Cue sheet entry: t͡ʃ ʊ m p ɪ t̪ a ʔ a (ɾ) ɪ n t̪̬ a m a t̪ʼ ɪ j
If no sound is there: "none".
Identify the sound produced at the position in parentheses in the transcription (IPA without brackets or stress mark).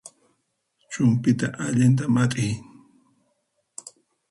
ʎ